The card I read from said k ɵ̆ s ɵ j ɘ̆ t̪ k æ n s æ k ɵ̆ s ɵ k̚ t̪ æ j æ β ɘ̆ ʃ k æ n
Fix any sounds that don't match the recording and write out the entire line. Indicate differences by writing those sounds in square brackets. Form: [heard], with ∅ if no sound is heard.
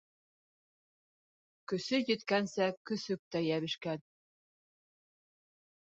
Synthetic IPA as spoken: k ɵ̆ s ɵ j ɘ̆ t̪ k æ n s æ k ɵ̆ s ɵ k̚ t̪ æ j æ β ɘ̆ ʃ k æ n